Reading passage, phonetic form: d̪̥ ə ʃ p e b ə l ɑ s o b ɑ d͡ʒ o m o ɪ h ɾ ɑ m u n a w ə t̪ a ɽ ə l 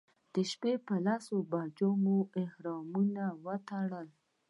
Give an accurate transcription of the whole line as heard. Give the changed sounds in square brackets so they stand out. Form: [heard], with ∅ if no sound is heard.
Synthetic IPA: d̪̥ ə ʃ p e [p] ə l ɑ s o b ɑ d͡ʒ o m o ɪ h ɾ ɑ m u n a w ə t̪ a ɽ ə l